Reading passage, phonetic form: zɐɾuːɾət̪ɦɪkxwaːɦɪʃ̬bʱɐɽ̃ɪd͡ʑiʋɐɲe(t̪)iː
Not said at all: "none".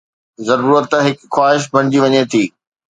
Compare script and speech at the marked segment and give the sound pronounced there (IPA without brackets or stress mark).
t̪ʰ